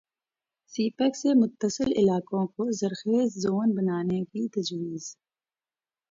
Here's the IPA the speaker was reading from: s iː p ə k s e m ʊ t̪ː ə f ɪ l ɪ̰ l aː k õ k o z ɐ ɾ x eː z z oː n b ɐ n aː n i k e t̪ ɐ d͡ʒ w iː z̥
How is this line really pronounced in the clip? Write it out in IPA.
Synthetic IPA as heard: s iː p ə k s e m ʊ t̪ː ə s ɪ l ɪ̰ l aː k õ k o z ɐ ɾ x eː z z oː n b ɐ n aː n e k i t̪ ɐ d͡ʒ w iː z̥